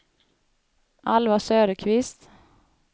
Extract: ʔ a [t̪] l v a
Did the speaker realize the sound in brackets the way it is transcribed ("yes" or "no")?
no